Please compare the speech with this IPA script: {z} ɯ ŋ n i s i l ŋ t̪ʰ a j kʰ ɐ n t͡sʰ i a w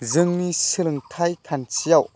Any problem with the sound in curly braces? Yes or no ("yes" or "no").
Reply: no